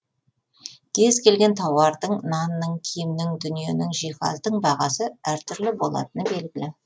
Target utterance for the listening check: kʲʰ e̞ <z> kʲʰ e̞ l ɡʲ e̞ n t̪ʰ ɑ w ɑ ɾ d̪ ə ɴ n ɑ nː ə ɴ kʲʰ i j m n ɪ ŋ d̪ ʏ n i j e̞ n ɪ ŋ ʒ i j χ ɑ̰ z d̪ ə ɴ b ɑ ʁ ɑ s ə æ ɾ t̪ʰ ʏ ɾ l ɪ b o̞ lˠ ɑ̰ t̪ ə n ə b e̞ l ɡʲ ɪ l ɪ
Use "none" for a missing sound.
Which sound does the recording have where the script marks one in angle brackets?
z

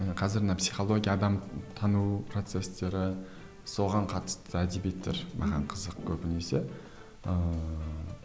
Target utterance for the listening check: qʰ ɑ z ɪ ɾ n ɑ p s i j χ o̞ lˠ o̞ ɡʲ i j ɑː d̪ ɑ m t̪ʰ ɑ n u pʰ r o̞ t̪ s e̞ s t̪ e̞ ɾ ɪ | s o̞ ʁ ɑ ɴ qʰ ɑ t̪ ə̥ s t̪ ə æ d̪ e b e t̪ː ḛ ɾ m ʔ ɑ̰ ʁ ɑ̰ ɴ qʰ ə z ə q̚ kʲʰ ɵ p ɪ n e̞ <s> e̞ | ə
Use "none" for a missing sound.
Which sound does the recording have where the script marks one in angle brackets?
s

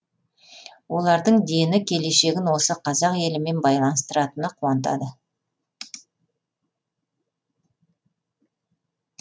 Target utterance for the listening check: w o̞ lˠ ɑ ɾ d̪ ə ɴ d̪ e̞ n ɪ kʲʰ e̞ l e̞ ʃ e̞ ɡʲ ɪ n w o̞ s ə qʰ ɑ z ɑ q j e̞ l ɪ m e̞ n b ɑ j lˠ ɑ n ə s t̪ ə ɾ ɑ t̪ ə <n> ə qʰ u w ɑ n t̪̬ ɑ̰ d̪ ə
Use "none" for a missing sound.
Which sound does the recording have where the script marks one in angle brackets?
n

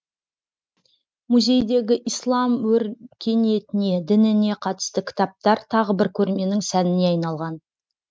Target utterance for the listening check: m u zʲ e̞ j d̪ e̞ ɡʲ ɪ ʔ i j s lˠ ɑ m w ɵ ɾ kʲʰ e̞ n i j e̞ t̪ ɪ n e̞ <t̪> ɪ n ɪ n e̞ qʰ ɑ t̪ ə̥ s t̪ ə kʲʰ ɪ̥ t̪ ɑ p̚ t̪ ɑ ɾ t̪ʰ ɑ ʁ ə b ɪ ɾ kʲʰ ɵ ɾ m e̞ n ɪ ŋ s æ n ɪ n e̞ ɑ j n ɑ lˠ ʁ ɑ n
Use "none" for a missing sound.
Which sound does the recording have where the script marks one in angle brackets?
d̪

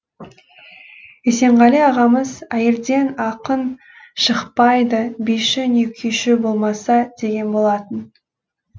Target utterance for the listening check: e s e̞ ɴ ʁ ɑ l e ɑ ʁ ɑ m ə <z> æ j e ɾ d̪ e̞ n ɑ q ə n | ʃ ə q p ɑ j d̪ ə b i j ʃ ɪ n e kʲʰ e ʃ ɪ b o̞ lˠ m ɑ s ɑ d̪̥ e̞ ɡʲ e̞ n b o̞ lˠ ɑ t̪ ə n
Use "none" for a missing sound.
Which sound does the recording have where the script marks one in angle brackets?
z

